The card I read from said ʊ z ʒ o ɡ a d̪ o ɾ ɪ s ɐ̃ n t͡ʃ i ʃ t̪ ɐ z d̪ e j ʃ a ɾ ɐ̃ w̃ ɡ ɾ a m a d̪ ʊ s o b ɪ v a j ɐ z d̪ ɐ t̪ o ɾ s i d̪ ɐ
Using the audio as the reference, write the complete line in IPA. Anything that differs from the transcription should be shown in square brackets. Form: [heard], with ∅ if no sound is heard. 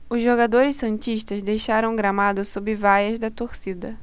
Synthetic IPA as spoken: ʊ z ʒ o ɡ a d̪ o ɾ ɪ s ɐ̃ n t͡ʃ i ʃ t̪ ɐ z d̪ e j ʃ a ɾ ɐ̃ w̃ ɡ ɾ a m a d̪ ʊ s o b ɪ v a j ɐ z d̪ ɐ t̪ o ɾ s i d̪ ɐ